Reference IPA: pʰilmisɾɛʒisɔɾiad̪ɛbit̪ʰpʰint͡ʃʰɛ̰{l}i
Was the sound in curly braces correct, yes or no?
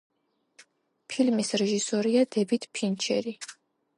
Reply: no